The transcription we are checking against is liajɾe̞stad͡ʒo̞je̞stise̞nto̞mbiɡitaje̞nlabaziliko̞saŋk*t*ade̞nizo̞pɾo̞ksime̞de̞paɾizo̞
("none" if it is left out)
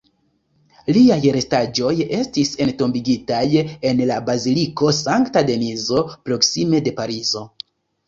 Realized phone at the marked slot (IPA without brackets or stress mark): t